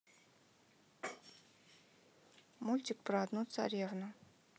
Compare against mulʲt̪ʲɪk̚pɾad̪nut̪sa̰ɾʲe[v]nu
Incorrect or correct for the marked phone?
correct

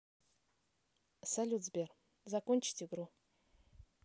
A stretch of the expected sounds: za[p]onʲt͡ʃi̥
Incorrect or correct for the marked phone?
incorrect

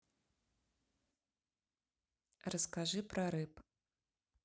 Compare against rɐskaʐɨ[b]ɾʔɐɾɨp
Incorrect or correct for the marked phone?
incorrect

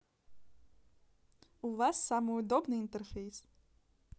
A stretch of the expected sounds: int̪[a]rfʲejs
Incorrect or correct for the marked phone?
incorrect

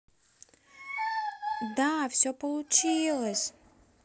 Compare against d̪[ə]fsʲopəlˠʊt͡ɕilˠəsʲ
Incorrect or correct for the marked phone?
incorrect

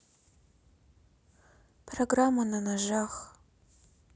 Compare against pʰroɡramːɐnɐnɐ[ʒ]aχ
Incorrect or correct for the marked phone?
correct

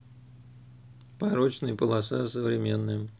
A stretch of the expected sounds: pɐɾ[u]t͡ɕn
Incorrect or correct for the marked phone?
incorrect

